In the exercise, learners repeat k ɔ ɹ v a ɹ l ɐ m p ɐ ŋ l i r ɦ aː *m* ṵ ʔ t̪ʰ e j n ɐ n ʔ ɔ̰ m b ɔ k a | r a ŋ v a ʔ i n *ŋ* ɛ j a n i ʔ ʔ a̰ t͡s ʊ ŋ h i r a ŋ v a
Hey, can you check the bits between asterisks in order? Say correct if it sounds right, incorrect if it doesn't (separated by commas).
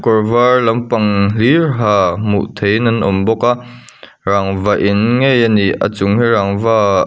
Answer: correct, correct